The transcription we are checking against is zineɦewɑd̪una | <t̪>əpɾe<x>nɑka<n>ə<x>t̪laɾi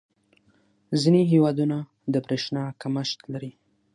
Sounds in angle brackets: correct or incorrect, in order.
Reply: incorrect: d̪, incorrect: ʃ, incorrect: m, incorrect: ʃ

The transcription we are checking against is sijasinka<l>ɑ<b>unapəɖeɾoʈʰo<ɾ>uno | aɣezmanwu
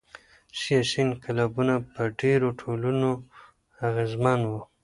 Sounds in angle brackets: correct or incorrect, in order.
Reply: correct, correct, incorrect: l

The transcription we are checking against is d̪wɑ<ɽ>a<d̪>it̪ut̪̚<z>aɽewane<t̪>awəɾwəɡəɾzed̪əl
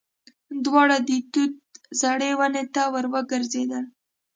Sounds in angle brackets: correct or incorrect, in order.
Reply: correct, correct, correct, correct

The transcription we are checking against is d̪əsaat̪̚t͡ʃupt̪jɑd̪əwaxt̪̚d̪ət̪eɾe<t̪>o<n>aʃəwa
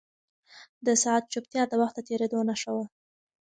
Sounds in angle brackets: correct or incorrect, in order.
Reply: incorrect: d̪, correct

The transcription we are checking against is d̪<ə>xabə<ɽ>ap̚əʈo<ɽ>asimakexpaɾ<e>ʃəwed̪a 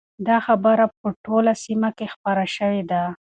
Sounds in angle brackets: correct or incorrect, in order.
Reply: incorrect: ɑ, incorrect: ɾ, incorrect: l, incorrect: a

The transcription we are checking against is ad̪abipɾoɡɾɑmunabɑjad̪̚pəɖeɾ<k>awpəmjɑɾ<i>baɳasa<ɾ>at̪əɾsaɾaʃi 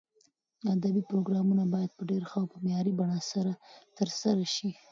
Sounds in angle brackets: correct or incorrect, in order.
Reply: incorrect: x, correct, correct

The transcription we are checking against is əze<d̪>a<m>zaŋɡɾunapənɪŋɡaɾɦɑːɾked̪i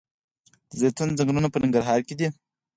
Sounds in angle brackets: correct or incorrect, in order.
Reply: incorrect: t̪, incorrect: n

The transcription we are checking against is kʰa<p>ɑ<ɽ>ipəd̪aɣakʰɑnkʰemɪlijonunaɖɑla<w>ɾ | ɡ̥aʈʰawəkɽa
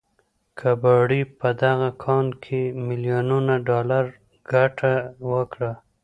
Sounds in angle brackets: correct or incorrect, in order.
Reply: incorrect: b, correct, incorrect: none

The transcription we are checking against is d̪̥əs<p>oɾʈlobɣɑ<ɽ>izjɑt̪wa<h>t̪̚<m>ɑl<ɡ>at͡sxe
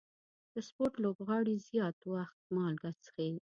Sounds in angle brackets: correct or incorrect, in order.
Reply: correct, correct, incorrect: x, correct, correct

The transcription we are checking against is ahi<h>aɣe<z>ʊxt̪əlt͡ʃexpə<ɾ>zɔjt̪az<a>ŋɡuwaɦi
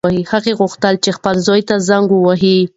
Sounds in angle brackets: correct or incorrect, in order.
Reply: correct, incorrect: ɣ, incorrect: l, correct

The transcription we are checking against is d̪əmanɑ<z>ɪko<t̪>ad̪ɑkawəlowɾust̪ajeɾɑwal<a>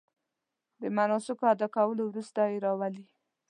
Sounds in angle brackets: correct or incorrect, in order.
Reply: incorrect: s, incorrect: none, incorrect: i

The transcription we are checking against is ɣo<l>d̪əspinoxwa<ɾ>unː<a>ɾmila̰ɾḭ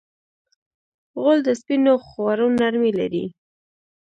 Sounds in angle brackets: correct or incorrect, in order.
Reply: correct, correct, correct

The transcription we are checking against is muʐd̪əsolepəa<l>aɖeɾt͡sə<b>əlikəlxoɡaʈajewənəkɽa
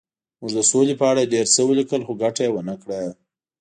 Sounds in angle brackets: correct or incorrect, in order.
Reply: incorrect: ɽ, incorrect: w

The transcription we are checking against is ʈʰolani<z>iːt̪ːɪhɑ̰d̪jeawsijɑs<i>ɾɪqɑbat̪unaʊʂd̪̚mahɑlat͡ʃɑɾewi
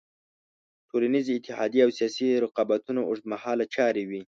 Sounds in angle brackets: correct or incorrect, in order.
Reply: correct, correct

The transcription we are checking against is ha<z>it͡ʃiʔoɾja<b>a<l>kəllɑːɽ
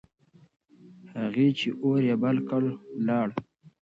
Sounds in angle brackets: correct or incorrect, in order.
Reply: incorrect: ɣ, correct, correct

